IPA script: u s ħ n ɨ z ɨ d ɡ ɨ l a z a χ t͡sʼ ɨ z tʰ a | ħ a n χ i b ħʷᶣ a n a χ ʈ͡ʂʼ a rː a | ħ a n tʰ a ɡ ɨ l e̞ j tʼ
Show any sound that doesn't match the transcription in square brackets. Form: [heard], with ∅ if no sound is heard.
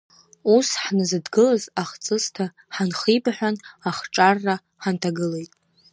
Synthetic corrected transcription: u s ħ n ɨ z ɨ d ɡ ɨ l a z a χ t͡sʼ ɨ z tʰ a | ħ a n χ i b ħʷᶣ a n a χ ʈ͡ʂʼ a rː a | ħ a n tʰ a ɡ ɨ l e̞ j tʼ